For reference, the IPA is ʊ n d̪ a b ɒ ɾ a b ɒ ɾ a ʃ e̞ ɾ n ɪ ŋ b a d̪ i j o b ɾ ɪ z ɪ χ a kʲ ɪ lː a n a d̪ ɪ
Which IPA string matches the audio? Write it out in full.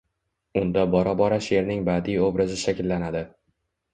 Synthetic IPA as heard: ʊ n d̪ a b ɒ ɾ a b ɒ ɾ a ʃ e̞ ɾ n ɪ ŋ b a d̪ i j o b ɾ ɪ z ɪ ʃ a kʲ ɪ lː a n a d̪ ɪ